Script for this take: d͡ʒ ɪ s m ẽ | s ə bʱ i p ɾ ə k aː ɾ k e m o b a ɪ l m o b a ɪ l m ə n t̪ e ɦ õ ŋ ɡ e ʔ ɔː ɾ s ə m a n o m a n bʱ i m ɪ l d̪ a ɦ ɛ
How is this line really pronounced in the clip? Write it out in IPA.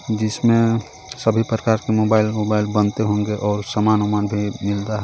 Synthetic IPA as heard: d͡ʒ ɪ s m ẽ | s ə bʱ i p ɾ ə k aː ɾ k e m o b a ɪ l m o b a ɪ l b ə n t̪ e ɦ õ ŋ ɡ e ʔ ɔː ɾ s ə m a n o m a n bʱ i m ɪ l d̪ a ɦ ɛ